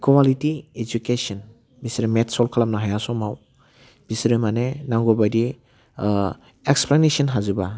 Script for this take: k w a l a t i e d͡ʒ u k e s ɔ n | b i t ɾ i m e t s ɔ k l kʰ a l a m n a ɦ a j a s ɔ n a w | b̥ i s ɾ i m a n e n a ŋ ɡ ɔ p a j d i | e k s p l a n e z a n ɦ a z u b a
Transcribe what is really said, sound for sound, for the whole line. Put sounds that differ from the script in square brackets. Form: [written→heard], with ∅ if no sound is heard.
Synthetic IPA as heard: k w a l [a→i] t i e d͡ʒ u k e s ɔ n | b i [t→s] ɾ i m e t s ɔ [k→∅] l kʰ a l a m n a ɦ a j a s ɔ [n→m] a w | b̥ i s ɾ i m a n e n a ŋ ɡ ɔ [p→b] a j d i | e k s p l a n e [z→s] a n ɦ a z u b a